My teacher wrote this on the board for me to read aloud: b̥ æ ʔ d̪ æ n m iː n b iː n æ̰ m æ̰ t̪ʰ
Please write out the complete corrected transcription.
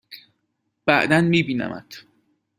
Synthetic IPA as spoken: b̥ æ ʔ d̪ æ n m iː b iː n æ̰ m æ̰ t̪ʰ